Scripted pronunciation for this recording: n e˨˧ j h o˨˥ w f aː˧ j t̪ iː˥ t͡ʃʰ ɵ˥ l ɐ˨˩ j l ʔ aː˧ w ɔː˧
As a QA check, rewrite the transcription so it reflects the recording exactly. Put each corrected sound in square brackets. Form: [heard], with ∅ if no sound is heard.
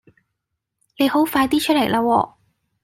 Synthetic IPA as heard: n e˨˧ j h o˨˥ w f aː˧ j t̪ iː˥ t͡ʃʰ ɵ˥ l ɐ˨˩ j l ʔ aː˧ w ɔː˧